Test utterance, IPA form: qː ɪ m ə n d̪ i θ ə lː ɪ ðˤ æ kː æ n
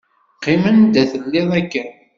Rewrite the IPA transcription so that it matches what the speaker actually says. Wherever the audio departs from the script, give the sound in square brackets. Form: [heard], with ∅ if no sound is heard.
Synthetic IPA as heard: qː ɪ m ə n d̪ [æ] θ ə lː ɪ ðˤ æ kː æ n